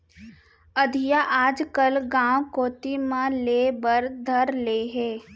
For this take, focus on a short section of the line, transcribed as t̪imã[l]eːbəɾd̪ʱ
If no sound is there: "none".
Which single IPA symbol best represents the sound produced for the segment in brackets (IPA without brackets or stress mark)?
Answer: l